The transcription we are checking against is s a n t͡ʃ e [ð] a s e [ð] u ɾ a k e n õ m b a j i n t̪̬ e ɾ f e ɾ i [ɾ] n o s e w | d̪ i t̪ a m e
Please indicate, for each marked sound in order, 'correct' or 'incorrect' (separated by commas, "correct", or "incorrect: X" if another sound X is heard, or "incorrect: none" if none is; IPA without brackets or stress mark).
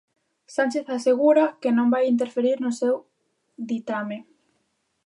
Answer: incorrect: θ, incorrect: ɣ, correct